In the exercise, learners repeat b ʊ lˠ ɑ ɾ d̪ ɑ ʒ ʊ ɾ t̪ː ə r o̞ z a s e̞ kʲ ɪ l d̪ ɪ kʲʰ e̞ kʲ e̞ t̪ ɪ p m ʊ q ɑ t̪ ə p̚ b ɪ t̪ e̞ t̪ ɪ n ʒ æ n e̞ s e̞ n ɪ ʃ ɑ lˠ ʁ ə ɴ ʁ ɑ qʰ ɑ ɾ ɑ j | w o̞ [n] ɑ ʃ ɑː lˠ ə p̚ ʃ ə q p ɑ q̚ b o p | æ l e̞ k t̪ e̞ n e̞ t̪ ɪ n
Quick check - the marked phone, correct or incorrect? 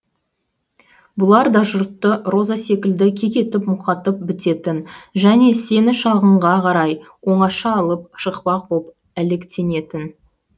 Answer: incorrect